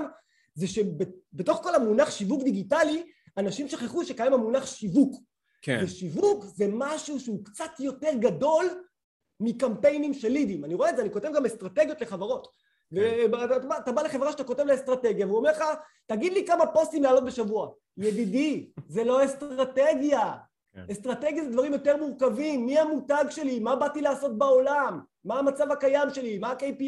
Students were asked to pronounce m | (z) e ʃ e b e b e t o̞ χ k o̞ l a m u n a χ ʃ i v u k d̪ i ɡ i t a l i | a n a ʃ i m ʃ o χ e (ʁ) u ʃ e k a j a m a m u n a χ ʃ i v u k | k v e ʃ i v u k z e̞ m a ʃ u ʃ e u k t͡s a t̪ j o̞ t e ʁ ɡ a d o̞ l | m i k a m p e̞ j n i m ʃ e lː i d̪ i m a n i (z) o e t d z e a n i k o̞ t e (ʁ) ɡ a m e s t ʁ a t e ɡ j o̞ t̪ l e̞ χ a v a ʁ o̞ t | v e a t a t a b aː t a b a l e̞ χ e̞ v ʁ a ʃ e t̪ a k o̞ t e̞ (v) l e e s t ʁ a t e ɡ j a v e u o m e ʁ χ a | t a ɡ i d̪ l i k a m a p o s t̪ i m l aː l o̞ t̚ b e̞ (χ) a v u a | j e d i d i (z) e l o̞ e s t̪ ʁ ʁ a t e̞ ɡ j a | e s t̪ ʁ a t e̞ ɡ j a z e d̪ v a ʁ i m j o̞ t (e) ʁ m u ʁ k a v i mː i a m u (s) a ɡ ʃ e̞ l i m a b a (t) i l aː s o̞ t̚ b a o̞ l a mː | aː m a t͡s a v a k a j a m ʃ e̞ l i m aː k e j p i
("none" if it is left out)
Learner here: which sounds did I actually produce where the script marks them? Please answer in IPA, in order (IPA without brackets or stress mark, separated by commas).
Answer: z, χ, ʁ, v, v, ʃ, z, e, t, t